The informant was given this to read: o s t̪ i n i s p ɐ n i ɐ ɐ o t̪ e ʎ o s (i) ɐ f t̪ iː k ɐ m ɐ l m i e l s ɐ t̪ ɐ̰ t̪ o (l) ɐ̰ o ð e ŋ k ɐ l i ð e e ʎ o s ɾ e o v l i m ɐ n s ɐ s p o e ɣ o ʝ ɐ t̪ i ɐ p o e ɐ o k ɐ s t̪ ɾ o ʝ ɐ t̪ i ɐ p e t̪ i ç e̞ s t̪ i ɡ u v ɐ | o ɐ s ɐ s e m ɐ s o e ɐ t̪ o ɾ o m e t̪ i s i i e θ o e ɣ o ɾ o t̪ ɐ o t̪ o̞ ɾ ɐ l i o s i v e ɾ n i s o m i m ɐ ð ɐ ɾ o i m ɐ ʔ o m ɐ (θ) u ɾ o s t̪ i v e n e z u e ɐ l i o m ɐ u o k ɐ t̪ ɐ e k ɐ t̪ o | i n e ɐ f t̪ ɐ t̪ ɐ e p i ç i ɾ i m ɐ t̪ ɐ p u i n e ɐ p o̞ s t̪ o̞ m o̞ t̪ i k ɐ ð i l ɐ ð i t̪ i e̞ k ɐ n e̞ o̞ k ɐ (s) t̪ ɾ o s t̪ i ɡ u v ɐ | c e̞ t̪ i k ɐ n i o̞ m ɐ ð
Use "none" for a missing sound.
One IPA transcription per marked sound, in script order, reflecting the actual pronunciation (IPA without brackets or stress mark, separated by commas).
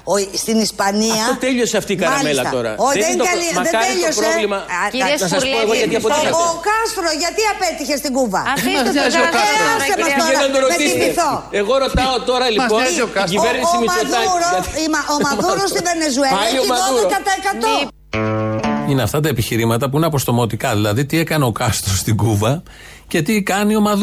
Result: e, ɾ, ð, s